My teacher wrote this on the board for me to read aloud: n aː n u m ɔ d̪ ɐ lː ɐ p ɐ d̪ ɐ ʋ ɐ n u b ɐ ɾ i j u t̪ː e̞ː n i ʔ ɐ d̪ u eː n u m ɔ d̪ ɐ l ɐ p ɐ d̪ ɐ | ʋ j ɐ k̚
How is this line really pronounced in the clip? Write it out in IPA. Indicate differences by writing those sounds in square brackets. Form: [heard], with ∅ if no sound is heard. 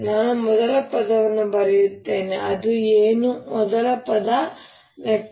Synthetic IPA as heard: n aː n u m ɔ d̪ ɐ [l] ɐ p ɐ d̪ ɐ ʋ ɐ [nː] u b ɐ ɾ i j u t̪ː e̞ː n [e] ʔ ɐ d̪ u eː n u m ɔ d̪ ɐ l ɐ p ɐ d̪ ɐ | ʋ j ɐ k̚